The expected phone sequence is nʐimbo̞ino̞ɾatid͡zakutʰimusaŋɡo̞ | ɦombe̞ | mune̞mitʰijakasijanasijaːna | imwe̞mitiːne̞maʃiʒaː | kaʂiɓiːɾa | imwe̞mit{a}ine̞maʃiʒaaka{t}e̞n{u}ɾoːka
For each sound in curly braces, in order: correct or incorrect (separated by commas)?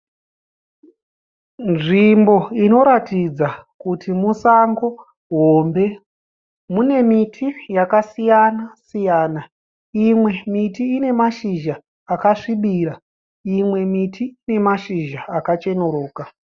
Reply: incorrect, incorrect, incorrect